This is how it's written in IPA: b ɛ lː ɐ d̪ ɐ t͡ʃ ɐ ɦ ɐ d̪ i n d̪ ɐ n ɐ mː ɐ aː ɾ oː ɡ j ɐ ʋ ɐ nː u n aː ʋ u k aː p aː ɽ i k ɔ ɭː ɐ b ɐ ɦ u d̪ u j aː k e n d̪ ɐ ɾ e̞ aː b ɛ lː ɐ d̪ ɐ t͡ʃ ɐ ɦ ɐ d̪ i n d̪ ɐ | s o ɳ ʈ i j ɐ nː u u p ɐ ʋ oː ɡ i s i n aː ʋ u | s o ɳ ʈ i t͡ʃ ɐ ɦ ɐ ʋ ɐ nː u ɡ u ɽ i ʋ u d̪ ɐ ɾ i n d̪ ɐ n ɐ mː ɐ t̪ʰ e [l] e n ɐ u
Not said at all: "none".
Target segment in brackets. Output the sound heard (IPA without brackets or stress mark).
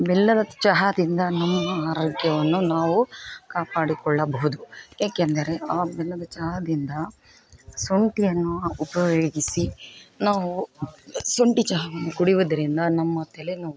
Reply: l